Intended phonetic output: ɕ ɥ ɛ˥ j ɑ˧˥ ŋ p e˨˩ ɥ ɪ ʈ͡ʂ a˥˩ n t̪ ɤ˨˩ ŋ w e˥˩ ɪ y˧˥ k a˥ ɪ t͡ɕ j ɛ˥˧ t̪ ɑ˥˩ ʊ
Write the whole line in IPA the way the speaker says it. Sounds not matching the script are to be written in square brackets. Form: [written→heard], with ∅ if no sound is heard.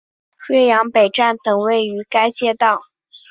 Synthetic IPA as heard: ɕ ɥ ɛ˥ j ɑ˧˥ ŋ p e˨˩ [ɥ→∅] ɪ ʈ͡ʂ a˥˩ n t̪ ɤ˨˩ ŋ w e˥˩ ɪ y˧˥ k a˥ ɪ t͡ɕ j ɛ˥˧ t̪ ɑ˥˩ ʊ

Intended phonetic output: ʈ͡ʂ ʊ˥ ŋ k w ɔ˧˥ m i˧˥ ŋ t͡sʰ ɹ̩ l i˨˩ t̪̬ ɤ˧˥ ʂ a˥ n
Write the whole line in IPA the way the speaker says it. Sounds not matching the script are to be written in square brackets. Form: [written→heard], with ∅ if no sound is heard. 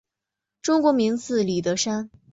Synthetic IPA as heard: ʈ͡ʂ ʊ˥ ŋ k w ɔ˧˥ m i˧˥ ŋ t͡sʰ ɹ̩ l i˨˩ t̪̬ ɤ˧˥ ʂ a˥ n

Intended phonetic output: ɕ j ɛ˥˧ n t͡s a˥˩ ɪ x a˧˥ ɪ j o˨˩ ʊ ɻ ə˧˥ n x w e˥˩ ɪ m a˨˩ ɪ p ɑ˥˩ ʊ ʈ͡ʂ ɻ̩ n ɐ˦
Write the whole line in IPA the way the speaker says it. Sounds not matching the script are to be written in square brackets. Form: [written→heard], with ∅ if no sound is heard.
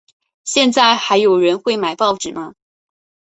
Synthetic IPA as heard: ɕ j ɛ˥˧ n t͡s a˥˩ ɪ x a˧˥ ɪ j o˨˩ ʊ ɻ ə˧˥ n x w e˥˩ ɪ m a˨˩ ɪ p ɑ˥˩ ʊ ʈ͡ʂ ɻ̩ [n→m] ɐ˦

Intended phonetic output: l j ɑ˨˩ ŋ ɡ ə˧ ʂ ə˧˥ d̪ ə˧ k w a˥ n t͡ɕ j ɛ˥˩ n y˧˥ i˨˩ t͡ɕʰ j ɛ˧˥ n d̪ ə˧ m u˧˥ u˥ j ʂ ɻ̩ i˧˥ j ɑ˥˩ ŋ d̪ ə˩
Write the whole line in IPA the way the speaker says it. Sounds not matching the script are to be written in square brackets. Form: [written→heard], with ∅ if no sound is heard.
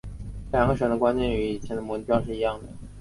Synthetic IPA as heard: l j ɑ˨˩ ŋ ɡ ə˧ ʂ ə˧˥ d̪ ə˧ k w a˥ n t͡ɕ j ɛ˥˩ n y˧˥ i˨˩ t͡ɕʰ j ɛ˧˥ n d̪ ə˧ m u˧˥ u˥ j ʂ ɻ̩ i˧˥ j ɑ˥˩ ŋ d̪ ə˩

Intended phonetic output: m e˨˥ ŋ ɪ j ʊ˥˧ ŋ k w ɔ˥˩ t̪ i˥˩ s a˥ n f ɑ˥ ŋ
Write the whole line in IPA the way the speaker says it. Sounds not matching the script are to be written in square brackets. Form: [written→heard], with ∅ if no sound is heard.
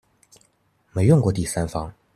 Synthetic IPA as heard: m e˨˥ [ŋ→∅] ɪ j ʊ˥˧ ŋ k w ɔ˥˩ t̪ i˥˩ s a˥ n f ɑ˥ ŋ

